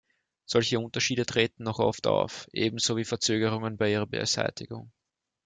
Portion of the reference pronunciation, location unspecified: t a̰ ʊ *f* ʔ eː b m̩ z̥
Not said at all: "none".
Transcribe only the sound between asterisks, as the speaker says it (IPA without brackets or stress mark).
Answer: f